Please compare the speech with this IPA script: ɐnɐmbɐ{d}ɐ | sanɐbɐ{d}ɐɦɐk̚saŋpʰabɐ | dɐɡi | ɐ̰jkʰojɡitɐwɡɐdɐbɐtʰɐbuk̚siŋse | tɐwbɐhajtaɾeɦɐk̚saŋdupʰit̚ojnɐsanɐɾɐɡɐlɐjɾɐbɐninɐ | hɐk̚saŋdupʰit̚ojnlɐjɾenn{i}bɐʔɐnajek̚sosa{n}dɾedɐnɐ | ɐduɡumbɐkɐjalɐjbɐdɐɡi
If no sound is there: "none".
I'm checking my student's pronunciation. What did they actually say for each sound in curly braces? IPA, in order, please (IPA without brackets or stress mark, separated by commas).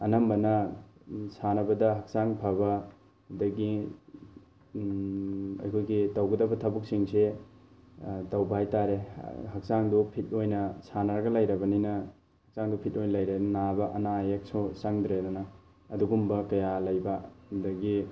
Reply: n, d, a, ŋ